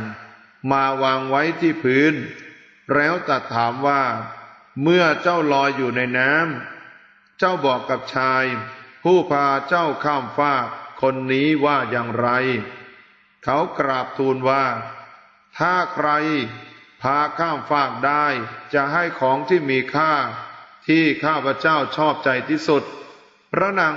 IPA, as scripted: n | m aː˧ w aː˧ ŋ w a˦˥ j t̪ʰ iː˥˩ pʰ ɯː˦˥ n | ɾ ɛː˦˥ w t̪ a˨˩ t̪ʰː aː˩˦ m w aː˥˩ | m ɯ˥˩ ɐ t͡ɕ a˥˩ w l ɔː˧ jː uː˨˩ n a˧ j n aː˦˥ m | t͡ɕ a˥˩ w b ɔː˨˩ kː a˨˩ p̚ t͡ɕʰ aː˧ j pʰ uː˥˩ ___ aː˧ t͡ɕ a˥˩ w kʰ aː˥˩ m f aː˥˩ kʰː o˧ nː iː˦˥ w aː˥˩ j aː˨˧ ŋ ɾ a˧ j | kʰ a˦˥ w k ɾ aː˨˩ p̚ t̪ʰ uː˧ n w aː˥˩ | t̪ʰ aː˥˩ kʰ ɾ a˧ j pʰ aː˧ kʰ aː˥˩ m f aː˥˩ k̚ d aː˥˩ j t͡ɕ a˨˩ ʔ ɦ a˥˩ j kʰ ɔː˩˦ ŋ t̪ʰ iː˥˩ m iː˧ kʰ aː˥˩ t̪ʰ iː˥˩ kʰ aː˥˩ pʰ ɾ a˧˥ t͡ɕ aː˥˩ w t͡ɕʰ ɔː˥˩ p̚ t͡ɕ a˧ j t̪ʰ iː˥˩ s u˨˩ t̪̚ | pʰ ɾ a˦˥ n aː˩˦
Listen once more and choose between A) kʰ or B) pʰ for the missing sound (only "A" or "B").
B